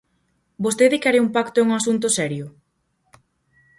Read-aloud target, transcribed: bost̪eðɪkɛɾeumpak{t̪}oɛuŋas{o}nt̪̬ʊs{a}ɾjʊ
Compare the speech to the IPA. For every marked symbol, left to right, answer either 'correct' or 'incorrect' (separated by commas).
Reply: correct, incorrect, incorrect